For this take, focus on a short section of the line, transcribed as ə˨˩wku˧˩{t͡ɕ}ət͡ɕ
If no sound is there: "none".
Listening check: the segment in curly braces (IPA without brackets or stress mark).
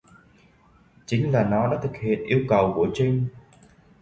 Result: none